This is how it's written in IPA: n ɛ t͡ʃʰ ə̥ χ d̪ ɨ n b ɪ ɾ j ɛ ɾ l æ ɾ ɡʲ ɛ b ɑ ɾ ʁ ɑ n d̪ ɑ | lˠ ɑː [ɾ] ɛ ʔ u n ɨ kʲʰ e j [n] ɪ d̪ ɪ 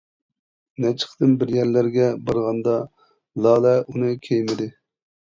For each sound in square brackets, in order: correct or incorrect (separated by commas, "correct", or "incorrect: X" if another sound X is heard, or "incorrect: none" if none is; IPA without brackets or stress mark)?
incorrect: l, incorrect: m